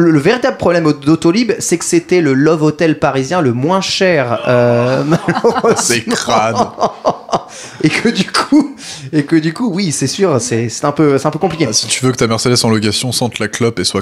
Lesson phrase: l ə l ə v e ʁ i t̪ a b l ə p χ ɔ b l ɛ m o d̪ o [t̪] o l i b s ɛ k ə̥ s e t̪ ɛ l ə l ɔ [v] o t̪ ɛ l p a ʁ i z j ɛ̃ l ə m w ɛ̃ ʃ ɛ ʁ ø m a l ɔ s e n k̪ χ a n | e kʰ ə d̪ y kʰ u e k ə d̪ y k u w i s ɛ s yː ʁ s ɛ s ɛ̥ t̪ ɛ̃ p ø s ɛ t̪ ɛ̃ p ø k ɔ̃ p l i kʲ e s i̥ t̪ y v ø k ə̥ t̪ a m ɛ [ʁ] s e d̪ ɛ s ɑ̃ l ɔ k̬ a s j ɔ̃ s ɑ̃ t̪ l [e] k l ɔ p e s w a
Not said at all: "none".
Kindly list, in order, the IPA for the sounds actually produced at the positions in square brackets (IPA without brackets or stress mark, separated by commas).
t̪, v, ʁ, a